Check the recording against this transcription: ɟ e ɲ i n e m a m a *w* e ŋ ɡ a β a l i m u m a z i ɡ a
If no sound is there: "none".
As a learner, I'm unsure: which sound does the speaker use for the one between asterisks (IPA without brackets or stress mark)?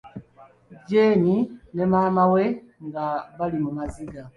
w